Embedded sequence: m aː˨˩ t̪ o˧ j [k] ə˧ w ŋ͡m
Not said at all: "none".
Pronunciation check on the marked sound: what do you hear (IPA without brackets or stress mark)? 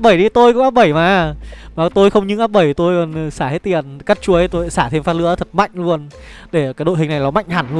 x